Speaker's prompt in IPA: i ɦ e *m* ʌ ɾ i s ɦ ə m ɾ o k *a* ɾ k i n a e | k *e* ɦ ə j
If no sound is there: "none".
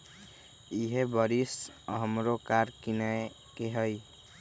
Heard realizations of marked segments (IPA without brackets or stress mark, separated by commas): b, a, e